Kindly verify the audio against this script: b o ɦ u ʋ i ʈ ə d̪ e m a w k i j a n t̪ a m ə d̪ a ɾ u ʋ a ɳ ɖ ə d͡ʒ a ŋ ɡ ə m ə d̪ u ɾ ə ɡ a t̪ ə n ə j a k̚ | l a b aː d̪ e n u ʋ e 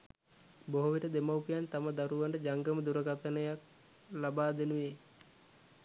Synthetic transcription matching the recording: b o ɦ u ʋ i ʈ ə d̪ e m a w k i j a n t̪ a m ə d̪ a ɾ u ʋ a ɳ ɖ ə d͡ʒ a ŋ ɡ ə m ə d̪ u ɾ ə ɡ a t̪ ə n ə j a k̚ | l a b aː d̪ e n u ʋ e

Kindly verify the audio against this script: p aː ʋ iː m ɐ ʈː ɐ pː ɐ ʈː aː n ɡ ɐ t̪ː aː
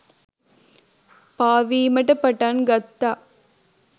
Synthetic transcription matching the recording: p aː ʋ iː m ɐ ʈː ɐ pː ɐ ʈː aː n ɡ ɐ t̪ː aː

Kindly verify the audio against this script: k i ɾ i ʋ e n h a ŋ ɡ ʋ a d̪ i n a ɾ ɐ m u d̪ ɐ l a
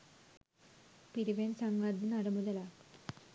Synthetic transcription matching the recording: p i ɾ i ʋ e n s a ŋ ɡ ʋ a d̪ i n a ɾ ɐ m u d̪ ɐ l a

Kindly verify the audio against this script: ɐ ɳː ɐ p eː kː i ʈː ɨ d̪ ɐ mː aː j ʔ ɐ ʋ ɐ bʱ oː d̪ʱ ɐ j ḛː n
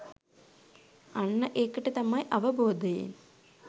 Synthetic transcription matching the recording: ɐ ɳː ɐ ʔ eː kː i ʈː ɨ t̪ ɐ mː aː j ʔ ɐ ʋ ɐ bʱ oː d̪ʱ ɐ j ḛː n

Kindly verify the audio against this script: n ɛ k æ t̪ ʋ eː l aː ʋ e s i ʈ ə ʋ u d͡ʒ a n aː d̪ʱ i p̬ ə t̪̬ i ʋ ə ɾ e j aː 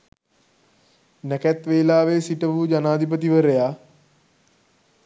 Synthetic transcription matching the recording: n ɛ k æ t̪ ʋ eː l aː ʋ e s i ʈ ə ʋ u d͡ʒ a n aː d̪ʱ i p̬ ə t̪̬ i ʋ ə ɾ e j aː

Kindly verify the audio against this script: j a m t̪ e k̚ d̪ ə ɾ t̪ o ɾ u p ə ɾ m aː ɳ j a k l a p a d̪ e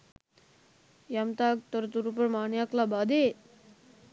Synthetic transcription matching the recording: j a m t̪ a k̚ t̪ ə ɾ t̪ u ɾ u p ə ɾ m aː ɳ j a k l a b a d̪ e

